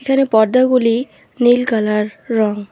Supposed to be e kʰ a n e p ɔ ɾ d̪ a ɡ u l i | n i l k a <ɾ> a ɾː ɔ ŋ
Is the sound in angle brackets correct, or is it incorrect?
incorrect